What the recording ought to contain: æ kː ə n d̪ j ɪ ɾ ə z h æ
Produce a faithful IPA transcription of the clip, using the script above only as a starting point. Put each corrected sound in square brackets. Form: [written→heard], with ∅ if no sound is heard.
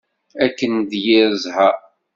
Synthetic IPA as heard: æ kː ə n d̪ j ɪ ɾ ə z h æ